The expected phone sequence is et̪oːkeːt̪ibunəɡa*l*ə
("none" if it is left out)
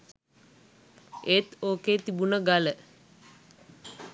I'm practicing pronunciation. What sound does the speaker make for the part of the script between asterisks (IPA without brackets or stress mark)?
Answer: l